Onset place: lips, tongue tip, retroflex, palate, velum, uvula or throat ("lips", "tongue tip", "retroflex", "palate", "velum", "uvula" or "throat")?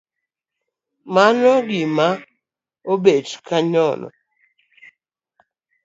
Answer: lips